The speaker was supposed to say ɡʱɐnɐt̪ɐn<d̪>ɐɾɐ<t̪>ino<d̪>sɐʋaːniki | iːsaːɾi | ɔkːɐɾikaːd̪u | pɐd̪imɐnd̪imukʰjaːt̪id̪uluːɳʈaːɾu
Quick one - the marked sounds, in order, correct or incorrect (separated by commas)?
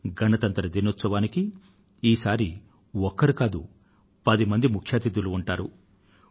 incorrect, incorrect, incorrect